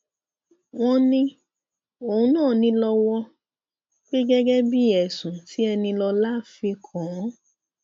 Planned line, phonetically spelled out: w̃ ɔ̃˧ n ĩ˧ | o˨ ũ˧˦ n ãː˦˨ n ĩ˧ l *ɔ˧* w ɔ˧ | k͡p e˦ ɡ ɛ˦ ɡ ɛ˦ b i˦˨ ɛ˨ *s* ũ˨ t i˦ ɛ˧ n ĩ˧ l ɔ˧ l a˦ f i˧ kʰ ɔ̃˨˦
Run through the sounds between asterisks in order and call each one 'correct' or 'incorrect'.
correct, correct

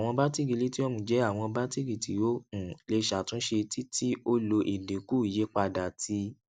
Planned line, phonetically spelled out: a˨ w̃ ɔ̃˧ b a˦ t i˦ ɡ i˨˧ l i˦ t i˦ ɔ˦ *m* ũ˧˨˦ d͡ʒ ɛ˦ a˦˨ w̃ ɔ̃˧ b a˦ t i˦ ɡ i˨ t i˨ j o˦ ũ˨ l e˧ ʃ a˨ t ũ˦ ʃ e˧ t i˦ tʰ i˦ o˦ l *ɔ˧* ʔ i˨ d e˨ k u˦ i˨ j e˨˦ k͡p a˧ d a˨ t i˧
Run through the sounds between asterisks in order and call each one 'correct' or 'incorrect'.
correct, incorrect: o˧

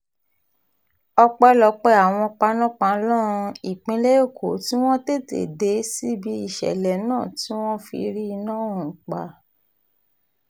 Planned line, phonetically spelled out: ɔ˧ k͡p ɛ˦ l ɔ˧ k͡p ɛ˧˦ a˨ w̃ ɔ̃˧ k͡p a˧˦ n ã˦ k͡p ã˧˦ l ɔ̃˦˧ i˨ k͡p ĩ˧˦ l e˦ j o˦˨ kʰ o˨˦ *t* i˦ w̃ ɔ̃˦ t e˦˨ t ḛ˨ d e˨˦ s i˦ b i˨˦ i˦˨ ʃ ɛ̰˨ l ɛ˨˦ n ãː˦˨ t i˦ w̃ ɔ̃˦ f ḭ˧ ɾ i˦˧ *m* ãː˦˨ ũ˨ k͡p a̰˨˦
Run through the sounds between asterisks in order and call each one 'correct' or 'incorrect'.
correct, incorrect: n

